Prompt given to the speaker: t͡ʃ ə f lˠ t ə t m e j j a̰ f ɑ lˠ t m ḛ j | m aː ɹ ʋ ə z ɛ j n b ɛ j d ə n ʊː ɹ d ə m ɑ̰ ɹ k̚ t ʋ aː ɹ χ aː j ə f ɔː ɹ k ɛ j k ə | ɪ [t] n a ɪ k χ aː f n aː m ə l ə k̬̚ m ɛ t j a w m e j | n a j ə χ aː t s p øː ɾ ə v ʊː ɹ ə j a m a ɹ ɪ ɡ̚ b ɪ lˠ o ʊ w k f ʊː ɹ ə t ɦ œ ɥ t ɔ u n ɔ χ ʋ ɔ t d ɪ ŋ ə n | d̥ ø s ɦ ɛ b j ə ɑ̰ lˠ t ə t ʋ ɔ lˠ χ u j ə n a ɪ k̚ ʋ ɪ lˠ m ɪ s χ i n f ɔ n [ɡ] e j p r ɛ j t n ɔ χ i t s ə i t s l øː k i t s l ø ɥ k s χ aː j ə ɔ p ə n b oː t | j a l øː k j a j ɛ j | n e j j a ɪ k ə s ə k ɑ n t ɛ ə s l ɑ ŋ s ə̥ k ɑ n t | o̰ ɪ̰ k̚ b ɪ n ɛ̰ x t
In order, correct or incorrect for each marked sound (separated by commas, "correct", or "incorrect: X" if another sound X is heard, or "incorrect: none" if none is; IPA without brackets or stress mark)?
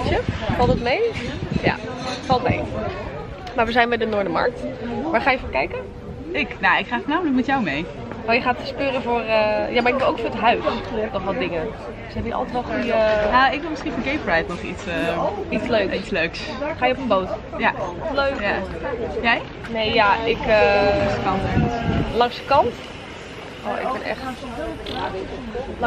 incorrect: k, correct